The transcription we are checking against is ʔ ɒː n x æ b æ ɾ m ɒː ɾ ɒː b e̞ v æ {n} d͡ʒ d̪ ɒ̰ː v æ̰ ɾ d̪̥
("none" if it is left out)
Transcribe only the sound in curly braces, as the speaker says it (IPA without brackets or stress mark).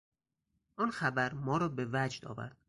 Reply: none